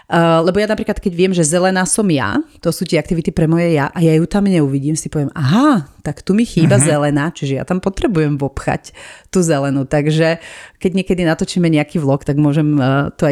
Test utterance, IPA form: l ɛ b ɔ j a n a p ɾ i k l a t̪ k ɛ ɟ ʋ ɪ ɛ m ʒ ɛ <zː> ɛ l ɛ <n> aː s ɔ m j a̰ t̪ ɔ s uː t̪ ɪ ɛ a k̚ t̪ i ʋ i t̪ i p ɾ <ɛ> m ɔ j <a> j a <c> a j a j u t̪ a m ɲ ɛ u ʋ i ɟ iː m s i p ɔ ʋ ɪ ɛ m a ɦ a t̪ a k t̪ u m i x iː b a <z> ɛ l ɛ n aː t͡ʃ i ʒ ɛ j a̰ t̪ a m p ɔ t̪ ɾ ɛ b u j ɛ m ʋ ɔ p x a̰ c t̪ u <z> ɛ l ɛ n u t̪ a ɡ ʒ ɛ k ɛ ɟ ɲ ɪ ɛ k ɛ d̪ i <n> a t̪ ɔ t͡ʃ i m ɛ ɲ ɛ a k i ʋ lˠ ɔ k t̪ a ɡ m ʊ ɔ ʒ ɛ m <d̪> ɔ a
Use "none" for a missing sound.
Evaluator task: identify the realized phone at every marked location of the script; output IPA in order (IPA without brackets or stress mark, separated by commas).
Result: z, n, ɛ, ɛ, ʔ, z, z, n, t̪